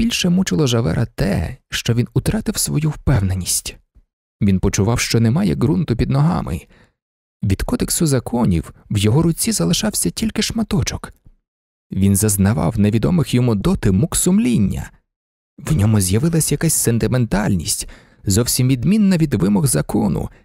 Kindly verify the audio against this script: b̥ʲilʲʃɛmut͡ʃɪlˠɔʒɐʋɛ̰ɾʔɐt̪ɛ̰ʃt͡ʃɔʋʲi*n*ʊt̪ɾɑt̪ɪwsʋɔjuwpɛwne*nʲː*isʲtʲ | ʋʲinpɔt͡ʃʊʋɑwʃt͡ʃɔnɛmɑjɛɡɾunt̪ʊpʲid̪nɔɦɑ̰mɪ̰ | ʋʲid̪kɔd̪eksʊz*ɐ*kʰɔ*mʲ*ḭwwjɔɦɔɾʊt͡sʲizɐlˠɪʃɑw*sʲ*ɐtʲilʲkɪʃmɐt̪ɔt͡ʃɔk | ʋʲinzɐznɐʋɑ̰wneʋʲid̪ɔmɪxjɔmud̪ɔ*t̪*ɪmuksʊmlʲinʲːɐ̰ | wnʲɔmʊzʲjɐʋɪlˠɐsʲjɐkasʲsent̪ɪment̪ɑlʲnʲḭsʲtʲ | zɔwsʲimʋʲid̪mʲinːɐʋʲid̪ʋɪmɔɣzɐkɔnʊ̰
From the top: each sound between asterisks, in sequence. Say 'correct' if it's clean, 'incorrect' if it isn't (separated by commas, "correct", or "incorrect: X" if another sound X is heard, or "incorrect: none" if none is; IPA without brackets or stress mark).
correct, incorrect: nʲ, correct, incorrect: nʲ, correct, correct